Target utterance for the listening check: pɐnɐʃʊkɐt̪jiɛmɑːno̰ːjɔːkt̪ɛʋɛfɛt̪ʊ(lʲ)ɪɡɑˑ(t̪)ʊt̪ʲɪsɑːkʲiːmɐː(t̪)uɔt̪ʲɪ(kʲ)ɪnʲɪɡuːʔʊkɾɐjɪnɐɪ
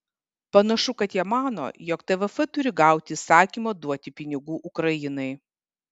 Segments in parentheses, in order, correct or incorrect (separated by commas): incorrect, incorrect, incorrect, incorrect